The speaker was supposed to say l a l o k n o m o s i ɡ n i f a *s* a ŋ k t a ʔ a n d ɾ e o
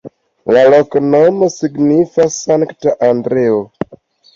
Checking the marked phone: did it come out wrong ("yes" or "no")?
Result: no